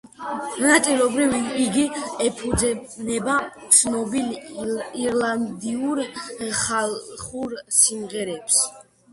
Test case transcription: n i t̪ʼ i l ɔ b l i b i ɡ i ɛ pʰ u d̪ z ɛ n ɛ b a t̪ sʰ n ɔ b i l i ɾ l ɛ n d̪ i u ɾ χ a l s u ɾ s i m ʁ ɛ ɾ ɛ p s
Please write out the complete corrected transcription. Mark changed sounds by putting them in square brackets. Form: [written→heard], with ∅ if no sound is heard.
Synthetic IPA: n [i→a] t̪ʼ i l ɔ b [l→ɾ] i [b→v] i ɡ i ɛ pʰ u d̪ z ɛ n ɛ b a t̪ sʰ n ɔ b i l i ɾ l [ɛ→a] n d̪ i u ɾ χ a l [s→χ] u ɾ s i m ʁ ɛ ɾ ɛ p s